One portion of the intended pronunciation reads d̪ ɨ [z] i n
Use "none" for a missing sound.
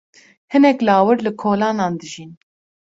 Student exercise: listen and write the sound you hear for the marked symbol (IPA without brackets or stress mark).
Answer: ʒ